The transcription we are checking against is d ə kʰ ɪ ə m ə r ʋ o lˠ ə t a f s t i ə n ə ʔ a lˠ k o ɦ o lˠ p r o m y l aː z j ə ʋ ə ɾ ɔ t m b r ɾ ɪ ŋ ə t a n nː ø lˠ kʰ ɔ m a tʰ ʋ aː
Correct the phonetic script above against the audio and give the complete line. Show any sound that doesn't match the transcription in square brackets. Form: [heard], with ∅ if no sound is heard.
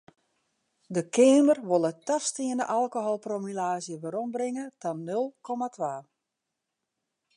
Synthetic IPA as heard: d ə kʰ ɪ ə m ə r ʋ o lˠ ə t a f s t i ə n ə ʔ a lˠ k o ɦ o lˠ p r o m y l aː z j ə ʋ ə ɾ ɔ [∅] m b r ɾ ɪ ŋ ə t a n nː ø lˠ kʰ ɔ m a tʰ ʋ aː